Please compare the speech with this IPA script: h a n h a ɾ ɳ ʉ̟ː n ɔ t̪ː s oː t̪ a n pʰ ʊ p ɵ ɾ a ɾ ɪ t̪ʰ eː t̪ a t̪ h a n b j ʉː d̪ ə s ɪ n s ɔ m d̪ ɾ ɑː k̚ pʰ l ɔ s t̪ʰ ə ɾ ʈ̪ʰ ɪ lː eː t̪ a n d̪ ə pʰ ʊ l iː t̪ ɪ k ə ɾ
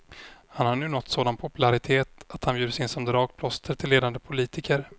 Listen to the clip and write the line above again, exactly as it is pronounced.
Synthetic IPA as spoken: h a n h a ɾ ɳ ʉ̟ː n ɔ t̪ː s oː d̪ a n pʰ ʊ p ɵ l a ɾ ɪ t̪ʰ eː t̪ a t̪ h a n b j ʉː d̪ ə s ɪ n s ɔ m d̪ ɾ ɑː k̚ pʰ l ɔ s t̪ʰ ə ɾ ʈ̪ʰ ɪ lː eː d̪ a n d̪ ə pʰ ʊ l iː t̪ ɪ k ə ɾ